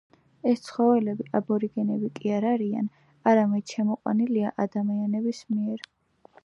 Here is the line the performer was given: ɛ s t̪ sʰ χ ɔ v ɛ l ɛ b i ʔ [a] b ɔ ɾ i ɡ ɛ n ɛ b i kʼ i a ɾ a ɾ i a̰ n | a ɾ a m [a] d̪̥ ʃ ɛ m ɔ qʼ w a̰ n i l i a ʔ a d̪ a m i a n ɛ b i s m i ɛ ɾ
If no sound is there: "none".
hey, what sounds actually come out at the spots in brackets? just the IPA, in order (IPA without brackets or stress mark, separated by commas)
a, ɛ